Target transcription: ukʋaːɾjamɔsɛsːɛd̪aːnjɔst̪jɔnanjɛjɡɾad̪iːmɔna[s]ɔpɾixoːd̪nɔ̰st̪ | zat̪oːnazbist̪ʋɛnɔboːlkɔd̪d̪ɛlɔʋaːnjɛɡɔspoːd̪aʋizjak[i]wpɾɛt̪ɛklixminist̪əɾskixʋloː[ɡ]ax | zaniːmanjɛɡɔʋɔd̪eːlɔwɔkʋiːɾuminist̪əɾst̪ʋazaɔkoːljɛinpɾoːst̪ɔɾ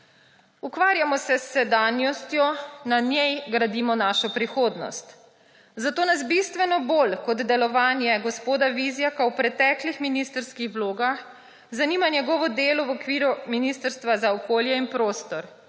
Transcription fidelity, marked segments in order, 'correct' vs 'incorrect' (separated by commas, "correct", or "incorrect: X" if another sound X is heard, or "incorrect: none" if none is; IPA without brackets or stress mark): incorrect: ʃ, incorrect: a, correct